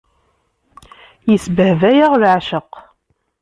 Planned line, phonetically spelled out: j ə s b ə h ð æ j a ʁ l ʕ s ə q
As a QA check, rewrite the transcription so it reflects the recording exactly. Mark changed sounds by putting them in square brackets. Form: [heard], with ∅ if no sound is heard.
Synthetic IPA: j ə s b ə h [v] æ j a ʁ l ʕ [ʃ] ə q

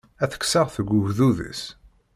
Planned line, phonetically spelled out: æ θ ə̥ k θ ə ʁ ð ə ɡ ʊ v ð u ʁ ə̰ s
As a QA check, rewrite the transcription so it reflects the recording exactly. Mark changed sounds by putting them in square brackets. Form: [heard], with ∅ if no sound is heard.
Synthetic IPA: æ θ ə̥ k [s] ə ʁ [θ] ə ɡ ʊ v ð u [ð] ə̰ s

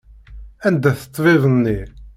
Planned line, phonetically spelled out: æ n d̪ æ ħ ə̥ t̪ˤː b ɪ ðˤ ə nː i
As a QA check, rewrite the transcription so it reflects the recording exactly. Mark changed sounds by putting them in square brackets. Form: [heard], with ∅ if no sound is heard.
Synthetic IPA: æ n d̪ æ [θ] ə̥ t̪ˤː [v] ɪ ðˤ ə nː i

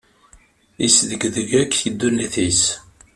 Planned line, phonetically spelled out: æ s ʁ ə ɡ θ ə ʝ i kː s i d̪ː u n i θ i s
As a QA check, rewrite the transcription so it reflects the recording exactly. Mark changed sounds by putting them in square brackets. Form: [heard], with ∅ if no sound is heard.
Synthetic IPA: [i] s [ð] ə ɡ [ð] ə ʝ [æ] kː [θ] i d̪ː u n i θ i s

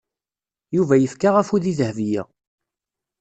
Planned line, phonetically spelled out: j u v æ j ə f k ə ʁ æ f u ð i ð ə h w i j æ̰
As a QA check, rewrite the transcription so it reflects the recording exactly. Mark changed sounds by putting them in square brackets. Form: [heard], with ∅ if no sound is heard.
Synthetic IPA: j u v æ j ə f k [a] ʁ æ f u ð i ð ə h [v] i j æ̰

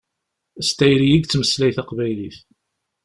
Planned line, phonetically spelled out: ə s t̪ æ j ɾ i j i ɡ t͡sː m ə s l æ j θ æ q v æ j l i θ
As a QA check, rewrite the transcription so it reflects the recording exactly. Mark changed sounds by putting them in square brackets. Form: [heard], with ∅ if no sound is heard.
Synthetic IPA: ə s t̪ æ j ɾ i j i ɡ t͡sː m ə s l æ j θ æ q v æ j l i θ

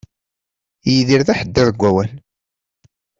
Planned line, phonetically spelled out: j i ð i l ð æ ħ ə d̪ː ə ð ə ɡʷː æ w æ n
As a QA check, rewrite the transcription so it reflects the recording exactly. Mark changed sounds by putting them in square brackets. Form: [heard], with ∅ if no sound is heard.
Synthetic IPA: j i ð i [ɾ] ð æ ħ ə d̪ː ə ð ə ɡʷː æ w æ n

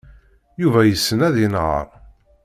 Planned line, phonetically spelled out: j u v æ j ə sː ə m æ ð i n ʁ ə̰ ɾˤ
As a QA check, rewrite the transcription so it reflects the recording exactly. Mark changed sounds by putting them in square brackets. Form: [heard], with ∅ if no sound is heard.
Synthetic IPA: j u v æ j ə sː ə [n] æ ð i n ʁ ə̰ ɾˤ

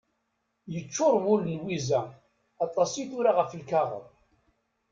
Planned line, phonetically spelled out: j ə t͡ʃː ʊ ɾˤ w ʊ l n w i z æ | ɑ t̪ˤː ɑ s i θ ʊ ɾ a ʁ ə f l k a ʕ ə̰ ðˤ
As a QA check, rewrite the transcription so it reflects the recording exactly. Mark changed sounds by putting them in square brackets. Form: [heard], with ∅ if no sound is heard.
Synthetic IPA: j ə t͡ʃː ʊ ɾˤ w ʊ l n w i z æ | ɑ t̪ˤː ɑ s i θ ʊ ɾ a ʁ ə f l k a [ʁ] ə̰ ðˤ

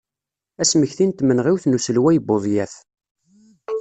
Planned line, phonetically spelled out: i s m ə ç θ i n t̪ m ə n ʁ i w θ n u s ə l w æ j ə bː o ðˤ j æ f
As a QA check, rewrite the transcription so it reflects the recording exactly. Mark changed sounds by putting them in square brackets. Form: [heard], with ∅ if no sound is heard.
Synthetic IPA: [æ] s m ə ç θ i n t̪ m ə n ʁ i w θ n u s ə l w æ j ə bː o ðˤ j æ [θ]

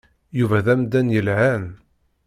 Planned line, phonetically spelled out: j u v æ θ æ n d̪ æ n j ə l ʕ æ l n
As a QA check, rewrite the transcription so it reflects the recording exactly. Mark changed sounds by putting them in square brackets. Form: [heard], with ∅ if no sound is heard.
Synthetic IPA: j u v æ [ð] æ [m] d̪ æ n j ə l ʕ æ [∅] n

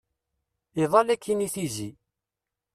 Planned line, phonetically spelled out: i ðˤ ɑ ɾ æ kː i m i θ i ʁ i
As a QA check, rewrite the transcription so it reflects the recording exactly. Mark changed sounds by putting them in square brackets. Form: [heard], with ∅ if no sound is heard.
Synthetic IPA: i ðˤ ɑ [l] æ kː i [n] i θ i [z] i

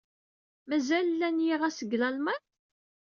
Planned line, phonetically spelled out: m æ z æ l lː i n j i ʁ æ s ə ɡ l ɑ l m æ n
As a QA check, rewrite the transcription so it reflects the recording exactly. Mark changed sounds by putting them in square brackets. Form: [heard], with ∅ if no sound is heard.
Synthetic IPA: m æ z æ l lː [æ] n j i ʁ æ s ə ɡ l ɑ l m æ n

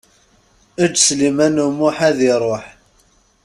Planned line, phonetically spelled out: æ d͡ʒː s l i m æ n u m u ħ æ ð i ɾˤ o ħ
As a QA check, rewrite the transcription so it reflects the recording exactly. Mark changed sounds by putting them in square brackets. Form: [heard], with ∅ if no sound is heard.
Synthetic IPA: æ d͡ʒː s l i m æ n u m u ħ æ ð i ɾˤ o ħ

